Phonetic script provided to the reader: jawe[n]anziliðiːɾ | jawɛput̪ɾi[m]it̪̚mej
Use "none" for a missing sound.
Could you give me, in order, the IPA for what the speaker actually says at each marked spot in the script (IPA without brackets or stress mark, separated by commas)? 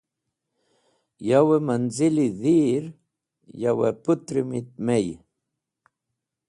m, m